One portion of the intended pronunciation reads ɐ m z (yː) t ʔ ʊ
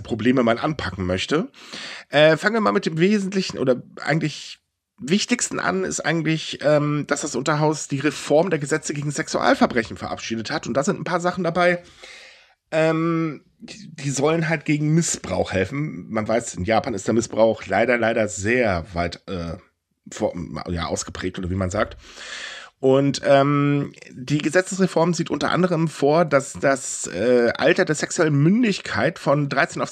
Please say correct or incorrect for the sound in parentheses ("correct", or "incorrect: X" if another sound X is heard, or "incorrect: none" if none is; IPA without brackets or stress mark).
incorrect: iː